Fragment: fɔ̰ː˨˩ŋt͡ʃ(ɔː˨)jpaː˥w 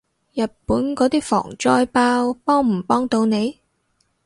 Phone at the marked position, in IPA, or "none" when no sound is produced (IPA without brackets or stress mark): ɔː˥